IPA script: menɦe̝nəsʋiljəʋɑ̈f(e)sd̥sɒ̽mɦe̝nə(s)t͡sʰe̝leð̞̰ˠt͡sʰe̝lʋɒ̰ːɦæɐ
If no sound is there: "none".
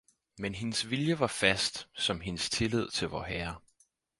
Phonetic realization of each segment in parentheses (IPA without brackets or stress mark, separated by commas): æ, s